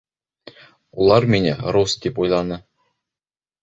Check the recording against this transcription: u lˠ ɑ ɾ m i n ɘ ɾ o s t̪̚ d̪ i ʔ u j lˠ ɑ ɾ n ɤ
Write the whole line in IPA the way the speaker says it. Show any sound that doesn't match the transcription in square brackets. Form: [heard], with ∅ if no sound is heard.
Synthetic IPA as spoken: u lˠ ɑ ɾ m i n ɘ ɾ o s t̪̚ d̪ i [p] u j lˠ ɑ [∅] n ɤ